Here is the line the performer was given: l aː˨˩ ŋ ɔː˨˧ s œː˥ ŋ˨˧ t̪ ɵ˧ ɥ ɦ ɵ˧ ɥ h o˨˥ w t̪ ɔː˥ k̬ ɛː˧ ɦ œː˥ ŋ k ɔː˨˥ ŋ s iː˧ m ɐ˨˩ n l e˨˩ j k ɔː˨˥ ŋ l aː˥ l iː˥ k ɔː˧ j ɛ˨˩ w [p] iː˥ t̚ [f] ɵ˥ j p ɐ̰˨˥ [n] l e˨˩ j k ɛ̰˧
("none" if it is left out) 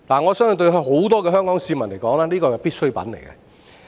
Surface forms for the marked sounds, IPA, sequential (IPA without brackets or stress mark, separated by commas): p, s, n